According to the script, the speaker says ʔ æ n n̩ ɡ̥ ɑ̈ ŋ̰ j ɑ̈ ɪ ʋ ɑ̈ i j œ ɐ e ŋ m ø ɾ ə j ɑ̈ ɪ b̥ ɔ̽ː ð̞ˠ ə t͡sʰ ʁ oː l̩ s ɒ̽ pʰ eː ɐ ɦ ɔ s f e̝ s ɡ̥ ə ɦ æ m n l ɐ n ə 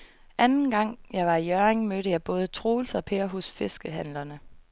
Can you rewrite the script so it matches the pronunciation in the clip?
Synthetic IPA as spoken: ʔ æ n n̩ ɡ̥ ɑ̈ ŋ̰ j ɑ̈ ɪ ʋ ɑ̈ i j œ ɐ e ŋ m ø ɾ ə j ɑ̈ ɪ b̥ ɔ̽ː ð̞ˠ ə t͡sʰ ʁ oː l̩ s ɒ̽ pʰ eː ɐ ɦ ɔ s f e̝ s ɡ̥ ə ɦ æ n l ɐ n ə